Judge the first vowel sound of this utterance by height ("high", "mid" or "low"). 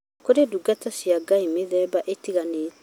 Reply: mid